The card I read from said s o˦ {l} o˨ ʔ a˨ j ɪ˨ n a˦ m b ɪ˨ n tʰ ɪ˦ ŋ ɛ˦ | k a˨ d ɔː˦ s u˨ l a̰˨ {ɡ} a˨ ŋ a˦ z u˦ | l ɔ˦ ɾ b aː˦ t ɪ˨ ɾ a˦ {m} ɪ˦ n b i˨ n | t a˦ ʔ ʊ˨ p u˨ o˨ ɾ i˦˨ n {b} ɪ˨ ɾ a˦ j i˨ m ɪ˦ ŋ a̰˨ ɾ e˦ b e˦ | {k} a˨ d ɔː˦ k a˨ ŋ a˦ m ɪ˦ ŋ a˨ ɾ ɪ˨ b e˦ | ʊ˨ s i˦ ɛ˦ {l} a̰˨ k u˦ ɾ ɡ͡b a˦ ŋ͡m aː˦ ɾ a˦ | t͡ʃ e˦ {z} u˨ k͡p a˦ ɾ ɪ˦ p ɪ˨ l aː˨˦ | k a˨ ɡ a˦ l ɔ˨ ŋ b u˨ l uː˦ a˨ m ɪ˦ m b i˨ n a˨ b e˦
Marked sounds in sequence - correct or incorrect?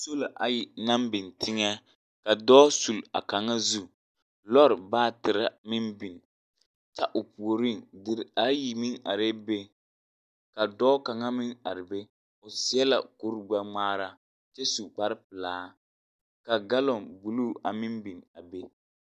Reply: correct, incorrect: k, correct, incorrect: d, correct, correct, incorrect: s

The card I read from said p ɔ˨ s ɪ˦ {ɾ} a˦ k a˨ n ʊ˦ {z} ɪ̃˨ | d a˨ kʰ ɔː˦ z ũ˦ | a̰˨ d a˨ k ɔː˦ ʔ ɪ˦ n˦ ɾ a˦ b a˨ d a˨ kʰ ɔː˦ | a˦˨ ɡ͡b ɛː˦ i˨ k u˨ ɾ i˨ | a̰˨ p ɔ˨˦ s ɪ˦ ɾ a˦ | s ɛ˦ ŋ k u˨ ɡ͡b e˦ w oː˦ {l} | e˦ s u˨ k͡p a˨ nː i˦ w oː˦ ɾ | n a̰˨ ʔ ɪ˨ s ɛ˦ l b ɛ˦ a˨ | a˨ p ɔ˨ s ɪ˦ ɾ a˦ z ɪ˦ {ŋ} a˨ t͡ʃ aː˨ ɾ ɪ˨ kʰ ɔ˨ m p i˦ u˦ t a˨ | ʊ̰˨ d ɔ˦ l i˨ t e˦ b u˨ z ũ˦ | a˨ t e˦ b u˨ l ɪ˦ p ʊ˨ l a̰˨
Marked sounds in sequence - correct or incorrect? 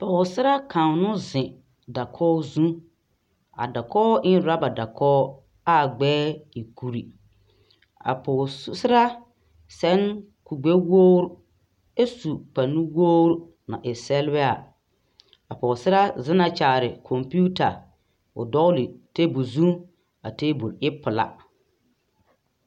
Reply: correct, correct, incorrect: ɾ, incorrect: n

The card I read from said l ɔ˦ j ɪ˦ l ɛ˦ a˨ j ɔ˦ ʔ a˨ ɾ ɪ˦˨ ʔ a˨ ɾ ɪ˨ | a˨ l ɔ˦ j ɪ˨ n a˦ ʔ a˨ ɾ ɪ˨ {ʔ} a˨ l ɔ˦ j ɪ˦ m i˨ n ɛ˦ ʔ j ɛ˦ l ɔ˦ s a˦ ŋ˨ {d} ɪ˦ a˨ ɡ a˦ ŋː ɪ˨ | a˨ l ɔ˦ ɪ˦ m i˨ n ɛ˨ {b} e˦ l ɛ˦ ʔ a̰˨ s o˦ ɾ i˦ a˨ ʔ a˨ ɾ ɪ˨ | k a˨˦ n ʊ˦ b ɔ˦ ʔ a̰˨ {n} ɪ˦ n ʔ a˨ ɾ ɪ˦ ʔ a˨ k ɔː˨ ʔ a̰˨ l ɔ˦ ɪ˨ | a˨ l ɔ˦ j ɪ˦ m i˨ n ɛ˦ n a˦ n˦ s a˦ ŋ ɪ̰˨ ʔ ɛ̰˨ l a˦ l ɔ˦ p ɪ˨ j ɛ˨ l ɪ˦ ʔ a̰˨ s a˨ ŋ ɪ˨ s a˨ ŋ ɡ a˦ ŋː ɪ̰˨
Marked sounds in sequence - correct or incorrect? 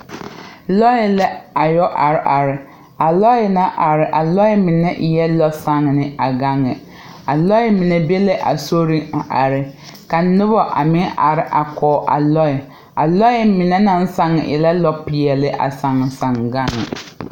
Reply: correct, incorrect: n, correct, incorrect: m

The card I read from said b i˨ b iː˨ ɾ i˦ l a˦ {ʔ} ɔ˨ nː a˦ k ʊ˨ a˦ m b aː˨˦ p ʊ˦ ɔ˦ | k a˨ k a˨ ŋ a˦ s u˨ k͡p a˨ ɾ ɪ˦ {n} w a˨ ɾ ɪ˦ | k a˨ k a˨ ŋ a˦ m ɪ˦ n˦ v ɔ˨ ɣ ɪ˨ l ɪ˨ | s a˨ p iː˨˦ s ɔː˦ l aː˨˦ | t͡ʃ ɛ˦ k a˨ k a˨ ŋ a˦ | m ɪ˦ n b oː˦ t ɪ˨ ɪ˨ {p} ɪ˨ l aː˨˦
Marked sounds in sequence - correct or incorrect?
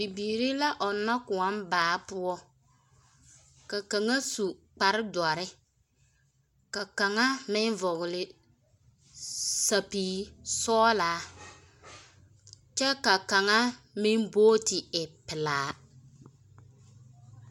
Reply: correct, incorrect: d, correct

